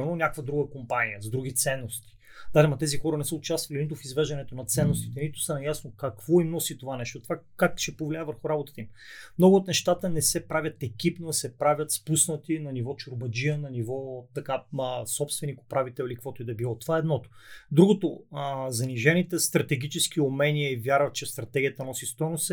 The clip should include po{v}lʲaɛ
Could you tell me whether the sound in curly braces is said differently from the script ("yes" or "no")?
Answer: no